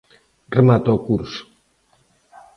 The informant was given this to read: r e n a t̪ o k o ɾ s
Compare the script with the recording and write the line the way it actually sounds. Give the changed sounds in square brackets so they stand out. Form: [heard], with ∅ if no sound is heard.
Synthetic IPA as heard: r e [m] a t̪ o k [u] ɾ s

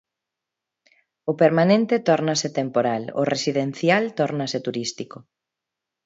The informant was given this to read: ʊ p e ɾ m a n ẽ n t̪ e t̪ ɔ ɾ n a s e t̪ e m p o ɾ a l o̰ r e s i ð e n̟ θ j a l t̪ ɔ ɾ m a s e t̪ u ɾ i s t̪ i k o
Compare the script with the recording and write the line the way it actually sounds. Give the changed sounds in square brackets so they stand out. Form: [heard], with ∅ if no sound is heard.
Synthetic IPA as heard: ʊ p e ɾ m a n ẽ n t̪ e t̪ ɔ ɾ n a s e t̪ e m p o ɾ a l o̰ r e s i ð e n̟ θ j a l t̪ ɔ ɾ [n] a s e t̪ u ɾ i s t̪ i k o

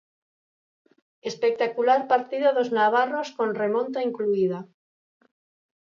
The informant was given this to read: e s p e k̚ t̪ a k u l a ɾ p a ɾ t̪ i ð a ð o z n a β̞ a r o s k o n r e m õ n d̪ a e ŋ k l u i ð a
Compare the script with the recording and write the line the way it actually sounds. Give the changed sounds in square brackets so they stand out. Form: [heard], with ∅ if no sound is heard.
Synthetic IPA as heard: e s p e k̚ t̪ a k u l a ɾ p a ɾ t̪ i ð a ð o z n a β̞ a r o s k o n r e m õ n [t̪] a [i] ŋ k l u i ð a

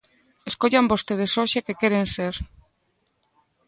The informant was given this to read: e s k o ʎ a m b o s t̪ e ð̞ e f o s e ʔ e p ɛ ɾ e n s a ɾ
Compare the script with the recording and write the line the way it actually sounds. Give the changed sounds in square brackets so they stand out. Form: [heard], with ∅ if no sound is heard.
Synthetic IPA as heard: e s k o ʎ a m b o s t̪ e ð̞ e [s] o [ʃ] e [k] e [k] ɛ ɾ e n s [e] ɾ

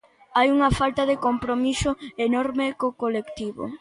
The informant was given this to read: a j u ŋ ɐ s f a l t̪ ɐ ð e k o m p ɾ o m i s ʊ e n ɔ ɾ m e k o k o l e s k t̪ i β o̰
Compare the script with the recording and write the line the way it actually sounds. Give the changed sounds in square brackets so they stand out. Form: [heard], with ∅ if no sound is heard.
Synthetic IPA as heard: a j u ŋ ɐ [∅] f a l t̪ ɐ ð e k o m p ɾ o m i s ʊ e n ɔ ɾ m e k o k o l e [∅] k t̪ i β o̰

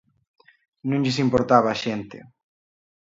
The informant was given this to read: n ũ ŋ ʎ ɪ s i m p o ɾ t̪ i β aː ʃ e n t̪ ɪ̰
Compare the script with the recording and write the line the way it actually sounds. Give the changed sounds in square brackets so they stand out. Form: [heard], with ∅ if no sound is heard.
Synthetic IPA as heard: n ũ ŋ ʎ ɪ s i m p o ɾ t̪ [a] β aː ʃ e n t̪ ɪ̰

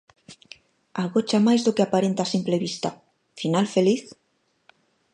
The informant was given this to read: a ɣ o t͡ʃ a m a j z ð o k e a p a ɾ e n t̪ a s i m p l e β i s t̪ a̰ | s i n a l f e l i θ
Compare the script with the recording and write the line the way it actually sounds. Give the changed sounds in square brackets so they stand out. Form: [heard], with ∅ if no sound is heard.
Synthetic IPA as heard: a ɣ o t͡ʃ a m a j z ð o k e a p a ɾ e n t̪ a s i m p l e β i s t̪ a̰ | [f] i n a l f e l i θ

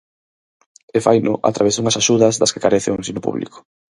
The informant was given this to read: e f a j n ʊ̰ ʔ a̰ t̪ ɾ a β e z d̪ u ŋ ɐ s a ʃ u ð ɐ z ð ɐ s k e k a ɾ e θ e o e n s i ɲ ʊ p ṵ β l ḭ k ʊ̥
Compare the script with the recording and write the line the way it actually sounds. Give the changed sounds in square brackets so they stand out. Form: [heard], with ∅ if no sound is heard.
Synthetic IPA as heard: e f a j n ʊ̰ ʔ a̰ t̪ ɾ a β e z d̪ u ŋ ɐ s a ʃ u ð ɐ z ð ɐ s k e k a ɾ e θ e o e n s i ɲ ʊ p ṵ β l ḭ k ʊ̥

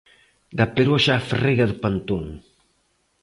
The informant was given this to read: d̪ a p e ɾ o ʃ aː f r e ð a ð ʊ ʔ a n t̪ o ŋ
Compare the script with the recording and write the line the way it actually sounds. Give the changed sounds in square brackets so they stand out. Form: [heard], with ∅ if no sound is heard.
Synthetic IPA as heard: d̪ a p e ɾ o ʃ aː f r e [ɣ] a ð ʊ [p] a n t̪ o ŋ

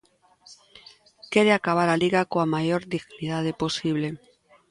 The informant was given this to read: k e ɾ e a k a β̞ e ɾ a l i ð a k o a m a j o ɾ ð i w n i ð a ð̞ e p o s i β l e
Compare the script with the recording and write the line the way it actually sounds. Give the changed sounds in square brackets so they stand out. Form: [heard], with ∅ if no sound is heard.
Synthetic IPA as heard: k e ɾ e a k a β̞ [a] ɾ a l i [ɣ] a k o a m a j o ɾ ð i [ɣ] n i ð a ð̞ e p o s i β l e

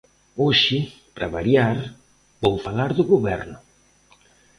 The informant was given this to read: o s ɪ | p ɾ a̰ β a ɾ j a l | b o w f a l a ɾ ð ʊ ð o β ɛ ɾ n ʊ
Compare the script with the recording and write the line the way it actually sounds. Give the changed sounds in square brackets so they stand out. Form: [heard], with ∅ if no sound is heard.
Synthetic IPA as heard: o [ʃ] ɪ | p ɾ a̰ β a ɾ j a [ɾ] | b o w f a l a ɾ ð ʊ [ɣ] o β ɛ ɾ n ʊ

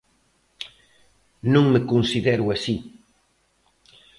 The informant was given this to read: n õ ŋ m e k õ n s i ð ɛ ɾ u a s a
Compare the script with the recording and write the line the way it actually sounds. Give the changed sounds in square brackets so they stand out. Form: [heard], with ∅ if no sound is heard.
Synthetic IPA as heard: n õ ŋ m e k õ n s i ð ɛ ɾ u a s [i]

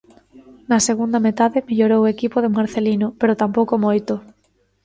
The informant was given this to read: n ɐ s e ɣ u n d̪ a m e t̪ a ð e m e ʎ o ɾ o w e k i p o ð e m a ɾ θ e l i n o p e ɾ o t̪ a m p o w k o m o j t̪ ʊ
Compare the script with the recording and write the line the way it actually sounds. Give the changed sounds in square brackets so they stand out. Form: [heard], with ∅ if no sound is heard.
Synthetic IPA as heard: n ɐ s e ɣ u n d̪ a m e t̪ a ð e m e ʎ o ɾ o w e k i p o ð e m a ɾ θ e l i n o p e ɾ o t̪ a m p o w k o m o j t̪ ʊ

